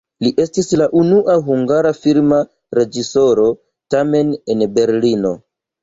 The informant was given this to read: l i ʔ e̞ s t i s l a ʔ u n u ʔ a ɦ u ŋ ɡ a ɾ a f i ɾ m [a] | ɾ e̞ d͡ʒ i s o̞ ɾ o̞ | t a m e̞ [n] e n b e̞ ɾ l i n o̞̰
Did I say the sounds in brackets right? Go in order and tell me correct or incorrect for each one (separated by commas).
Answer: correct, correct